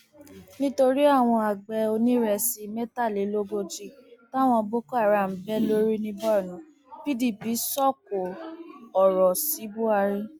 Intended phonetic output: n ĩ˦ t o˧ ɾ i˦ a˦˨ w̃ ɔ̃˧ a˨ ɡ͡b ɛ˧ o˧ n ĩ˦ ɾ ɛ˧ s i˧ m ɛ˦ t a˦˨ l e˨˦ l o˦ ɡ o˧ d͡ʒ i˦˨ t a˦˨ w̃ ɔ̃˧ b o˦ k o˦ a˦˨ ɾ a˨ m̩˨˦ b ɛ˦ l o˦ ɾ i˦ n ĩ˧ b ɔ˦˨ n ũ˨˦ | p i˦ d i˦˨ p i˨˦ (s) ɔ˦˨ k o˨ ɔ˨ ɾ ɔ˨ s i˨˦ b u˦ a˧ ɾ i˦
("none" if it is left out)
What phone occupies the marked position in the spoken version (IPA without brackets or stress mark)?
s